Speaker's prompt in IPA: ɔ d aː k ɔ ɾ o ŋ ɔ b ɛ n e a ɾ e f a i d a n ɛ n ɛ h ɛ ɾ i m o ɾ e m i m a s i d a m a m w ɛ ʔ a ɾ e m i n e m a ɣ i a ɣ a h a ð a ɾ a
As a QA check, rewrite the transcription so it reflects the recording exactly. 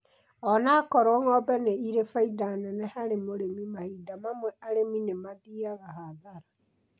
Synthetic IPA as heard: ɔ n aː k ɔ ɾ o ŋ ɔ b ɛ n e i ɾ e f a i d a n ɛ n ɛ h a ɾ e m o ɾ e m i m a h i d a m a m w ɛ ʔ a ɾ e m i n e m a ð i a ɣ a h a ð a ɾ a